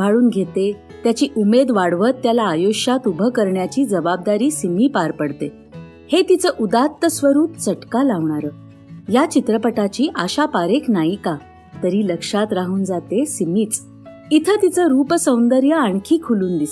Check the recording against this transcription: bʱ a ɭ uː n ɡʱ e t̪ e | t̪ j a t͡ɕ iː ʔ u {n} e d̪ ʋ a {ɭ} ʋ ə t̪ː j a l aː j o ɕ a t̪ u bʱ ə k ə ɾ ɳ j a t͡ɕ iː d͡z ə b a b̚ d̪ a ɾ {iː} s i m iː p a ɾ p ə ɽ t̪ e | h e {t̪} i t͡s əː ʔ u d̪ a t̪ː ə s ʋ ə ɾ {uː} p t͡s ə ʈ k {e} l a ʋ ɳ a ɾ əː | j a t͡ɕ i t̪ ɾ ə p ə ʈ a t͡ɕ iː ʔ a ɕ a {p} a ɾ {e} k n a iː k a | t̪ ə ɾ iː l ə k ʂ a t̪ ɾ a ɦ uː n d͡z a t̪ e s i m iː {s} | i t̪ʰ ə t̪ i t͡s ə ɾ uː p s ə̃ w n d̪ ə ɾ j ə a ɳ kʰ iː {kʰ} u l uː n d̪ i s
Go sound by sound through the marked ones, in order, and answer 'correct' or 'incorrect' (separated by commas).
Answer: incorrect, incorrect, correct, correct, correct, incorrect, correct, correct, incorrect, correct